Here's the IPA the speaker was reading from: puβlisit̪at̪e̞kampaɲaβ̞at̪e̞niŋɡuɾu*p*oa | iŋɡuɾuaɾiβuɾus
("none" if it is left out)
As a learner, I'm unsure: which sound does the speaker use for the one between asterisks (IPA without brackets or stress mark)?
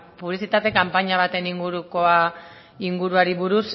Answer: k